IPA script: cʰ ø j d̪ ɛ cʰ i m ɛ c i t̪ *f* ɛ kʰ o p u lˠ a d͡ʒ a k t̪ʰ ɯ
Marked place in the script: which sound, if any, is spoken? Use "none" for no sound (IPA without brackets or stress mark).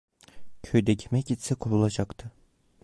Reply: s